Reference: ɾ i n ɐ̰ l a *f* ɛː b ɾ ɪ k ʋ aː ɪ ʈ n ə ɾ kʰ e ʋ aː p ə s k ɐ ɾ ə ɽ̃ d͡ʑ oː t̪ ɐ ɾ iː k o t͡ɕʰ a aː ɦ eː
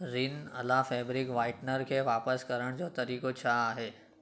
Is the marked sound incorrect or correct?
correct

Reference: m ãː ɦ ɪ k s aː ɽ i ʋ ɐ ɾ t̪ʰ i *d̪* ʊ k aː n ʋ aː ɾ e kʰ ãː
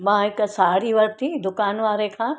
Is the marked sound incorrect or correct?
correct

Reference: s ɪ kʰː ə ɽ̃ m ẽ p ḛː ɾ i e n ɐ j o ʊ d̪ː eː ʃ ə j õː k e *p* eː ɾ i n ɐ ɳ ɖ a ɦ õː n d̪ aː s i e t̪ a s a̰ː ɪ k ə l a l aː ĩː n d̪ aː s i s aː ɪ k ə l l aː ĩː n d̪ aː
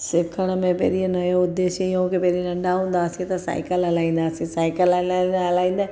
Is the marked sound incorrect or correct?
correct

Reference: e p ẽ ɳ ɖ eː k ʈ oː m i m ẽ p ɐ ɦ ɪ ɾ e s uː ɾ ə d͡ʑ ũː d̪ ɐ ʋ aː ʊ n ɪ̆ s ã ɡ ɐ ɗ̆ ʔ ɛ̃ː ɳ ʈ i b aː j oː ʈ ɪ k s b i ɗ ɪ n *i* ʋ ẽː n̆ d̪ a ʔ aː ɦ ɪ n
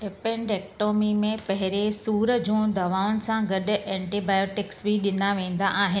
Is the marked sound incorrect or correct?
incorrect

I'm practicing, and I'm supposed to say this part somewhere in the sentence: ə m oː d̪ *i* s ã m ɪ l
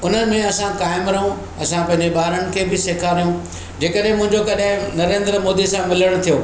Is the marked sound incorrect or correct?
correct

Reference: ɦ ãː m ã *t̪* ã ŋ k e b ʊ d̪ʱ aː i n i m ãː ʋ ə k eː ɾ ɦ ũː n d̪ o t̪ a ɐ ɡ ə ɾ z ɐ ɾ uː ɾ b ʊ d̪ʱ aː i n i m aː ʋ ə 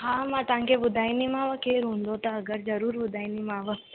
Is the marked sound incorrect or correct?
correct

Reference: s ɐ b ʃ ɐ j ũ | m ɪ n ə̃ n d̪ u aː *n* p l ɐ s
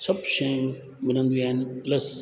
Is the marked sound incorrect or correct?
correct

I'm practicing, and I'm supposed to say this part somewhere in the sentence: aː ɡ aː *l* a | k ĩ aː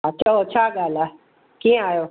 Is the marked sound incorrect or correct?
correct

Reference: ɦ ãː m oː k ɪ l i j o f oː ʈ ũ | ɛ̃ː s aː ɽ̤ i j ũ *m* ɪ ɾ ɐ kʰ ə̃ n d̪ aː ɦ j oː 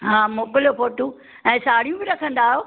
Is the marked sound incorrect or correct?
incorrect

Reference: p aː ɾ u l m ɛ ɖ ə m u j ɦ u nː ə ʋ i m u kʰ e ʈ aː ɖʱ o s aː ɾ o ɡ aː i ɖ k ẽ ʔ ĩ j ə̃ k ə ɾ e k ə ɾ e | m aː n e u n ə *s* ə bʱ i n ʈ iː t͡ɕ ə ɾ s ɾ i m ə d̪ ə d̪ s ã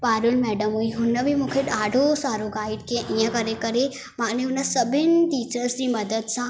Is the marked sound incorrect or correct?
correct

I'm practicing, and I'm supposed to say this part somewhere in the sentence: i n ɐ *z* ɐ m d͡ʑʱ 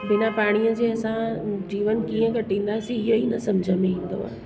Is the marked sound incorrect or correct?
incorrect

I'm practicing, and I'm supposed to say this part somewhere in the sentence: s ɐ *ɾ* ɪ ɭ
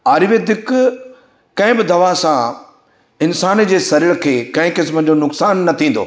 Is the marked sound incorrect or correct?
correct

